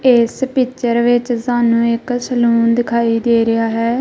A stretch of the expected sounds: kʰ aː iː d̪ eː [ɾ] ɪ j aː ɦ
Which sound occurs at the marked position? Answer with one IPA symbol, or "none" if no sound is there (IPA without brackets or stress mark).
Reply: ɾ